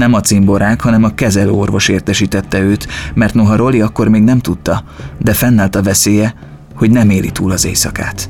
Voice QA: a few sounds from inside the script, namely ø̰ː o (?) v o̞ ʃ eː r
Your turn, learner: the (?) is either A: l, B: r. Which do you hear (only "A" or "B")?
B